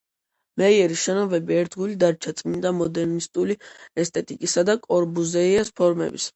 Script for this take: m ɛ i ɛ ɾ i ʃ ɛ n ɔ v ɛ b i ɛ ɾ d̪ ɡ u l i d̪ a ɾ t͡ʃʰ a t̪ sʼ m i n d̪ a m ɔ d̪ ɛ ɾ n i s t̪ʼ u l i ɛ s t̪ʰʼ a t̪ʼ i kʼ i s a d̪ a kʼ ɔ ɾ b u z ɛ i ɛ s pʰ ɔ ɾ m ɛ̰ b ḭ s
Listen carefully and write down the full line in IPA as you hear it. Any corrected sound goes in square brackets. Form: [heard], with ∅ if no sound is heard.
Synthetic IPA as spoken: m ɛ i ɛ ɾ i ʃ ɛ n ɔ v ɛ b i ɛ ɾ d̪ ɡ u l i d̪ a ɾ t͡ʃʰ a t̪ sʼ m i n d̪ a m ɔ d̪ ɛ ɾ n i s t̪ʼ u l i ɛ s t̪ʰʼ [ɛ] t̪ʼ i kʼ i s a d̪ a kʼ ɔ ɾ b u z ɛ i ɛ s pʰ ɔ ɾ m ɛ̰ b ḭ s